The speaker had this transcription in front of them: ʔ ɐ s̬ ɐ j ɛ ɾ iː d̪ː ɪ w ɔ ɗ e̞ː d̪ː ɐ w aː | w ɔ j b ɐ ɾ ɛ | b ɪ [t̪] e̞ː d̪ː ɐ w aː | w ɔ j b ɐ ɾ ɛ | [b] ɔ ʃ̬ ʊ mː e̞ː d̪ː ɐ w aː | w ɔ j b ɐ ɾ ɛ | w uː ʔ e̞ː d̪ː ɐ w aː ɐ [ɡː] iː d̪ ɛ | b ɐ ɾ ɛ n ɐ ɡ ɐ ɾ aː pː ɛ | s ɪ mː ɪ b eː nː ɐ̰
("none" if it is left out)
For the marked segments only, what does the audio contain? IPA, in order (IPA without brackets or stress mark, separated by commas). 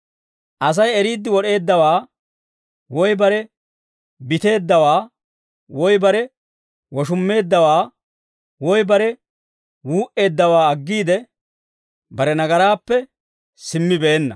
t̪, w, ɡː